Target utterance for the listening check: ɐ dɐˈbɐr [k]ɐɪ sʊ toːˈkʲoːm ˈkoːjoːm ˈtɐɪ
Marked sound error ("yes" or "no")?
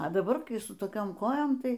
no